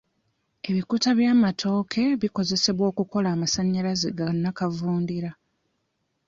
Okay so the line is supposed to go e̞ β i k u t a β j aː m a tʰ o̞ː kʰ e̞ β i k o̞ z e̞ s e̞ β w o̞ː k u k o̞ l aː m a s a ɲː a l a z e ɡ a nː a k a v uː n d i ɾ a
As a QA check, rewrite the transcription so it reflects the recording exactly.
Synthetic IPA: e̞ β i k u t a β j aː m a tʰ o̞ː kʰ e̞ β i k o̞ z e̞ s e̞ β w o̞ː k u k o̞ l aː m a s a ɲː a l a z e ɡ a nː a k a v uː n d i ɾ a